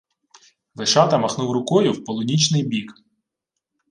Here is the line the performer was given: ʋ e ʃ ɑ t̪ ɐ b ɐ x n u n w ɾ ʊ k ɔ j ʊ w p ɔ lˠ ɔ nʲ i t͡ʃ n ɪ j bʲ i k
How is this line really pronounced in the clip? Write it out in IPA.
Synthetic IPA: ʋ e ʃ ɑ t̪ ɐ m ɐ x n u w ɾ ʊ k ɔ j ʊ w p ɔ lˠ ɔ nʲ i t͡ʃ n ɪ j bʲ i k

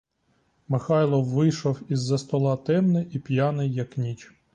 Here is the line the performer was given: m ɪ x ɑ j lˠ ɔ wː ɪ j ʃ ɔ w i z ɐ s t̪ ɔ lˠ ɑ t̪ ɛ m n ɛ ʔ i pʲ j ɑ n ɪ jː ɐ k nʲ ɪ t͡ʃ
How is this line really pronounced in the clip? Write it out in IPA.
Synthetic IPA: m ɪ x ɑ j lˠ ɔ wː ɪ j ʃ ɔ w i zː ɐ s t̪ ɔ lˠ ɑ t̪ ɛ m n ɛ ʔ i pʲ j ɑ n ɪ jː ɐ k nʲ i t͡ʃ

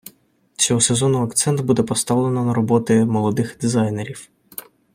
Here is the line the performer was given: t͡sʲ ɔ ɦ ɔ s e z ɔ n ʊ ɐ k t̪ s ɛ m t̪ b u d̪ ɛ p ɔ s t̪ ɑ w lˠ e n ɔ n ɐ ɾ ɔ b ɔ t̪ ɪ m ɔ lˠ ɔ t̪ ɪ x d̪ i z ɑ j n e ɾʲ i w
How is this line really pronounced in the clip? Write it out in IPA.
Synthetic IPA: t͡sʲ ɔ ɦ ɔ s e z ɔ n ʊ ɐ k t̪ s ɛ n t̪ b u d̪ ɛ p ɔ s t̪ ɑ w lˠ e n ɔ n ɐ ɾ ɔ b ɔ t̪ ɪ m ɔ lˠ ɔ d̪ ɪ x d̪ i z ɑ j n e ɾʲ i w

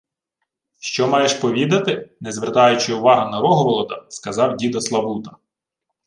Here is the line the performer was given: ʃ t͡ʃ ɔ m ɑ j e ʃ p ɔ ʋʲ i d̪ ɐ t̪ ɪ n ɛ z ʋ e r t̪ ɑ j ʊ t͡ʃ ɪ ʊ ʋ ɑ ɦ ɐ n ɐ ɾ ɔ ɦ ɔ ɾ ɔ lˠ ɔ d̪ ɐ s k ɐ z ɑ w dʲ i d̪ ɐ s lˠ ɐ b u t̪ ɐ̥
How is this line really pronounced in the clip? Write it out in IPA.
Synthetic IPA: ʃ t͡ʃ ɔ m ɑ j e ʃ p ɔ ʋʲ i d̪ ɐ t̪ ɪ n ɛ z ʋ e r t̪ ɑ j ʊ t͡ʃ ɪ ʊ ʋ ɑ ɦ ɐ n ɐ ɾ ɔ ɦ ɔ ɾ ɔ lˠ ɔ d̪ ɐ s k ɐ z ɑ w dʲ i d̪ ɐ s lˠ ɐ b u t̪ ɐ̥

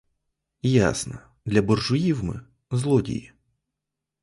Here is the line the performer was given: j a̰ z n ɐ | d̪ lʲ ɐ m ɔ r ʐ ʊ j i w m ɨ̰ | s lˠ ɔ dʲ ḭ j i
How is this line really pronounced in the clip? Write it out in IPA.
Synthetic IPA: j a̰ s n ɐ | d̪ lʲ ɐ b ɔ r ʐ ʊ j i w m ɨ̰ | z lˠ ɔ dʲ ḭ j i

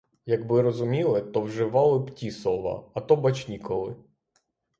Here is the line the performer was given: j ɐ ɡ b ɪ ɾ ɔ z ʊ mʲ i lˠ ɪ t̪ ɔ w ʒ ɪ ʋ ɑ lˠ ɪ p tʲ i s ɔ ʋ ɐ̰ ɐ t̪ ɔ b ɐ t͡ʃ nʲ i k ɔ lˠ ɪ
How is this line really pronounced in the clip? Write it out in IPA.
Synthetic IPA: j ɐ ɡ b ɪ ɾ ɔ z ʊ mʲ i lˠ ɪ t̪ ɔ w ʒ ɪ ʋ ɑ lˠ ɪ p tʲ i s ɔ ʋ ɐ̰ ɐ t̪ ɔ b ɐ t͡ʃ nʲ i k ɔ lˠ ɪ

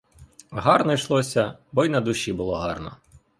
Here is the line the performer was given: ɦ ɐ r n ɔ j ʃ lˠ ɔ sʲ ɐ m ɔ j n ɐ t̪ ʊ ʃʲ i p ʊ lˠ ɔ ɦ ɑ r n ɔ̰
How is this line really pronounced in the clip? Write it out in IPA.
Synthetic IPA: ɦ ɑ r n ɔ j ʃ lˠ ɔ sʲ ɐ b ɔ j n ɐ d̪ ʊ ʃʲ i b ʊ lˠ ɔ ɦ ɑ r n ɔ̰

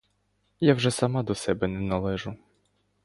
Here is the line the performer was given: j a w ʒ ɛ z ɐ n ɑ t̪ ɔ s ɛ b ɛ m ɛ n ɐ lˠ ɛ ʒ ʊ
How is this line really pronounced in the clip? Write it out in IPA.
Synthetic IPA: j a w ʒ ɛ s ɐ m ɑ d̪ ɔ s ɛ b ɛ n ɛ n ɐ lˠ ɛ ʒ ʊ

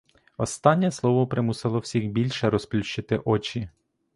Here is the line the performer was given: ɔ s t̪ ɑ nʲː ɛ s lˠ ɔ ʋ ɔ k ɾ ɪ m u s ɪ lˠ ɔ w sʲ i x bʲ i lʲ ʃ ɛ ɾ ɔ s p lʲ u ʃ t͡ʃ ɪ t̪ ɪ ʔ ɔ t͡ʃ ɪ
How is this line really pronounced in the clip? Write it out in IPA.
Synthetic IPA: ɔ s t̪ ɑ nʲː ɛ s lˠ ɔ ʋ ɔ p ɾ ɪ m u s ɪ lˠ ɔ w sʲ i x bʲ i lʲ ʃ ɛ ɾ ɔ s p lʲ u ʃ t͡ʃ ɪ t̪ ɪ ʔ ɔ t͡ʃ i

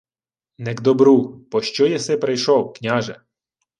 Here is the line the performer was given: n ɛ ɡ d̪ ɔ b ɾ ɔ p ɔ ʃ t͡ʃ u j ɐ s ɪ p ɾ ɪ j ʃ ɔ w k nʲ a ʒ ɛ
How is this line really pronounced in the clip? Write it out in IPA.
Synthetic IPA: n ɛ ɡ d̪ ɔ b ɾ u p ɔ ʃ t͡ʃ ɔ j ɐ s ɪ p ɾ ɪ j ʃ ɔ w k nʲ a ʒ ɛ

